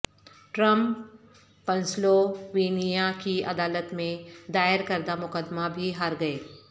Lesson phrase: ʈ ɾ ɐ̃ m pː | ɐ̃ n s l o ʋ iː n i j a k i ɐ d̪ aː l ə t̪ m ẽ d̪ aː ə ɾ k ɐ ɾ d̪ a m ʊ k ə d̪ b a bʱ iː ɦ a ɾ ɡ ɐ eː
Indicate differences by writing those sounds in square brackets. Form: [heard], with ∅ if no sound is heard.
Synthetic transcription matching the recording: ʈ ɾ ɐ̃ m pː | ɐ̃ n s l o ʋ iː n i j a k i ɐ d̪ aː l ə t̪ m ẽ d̪ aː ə ɾ k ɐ ɾ d̪ a m ʊ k ə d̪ [m] a bʱ [i] ɦ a ɾ ɡ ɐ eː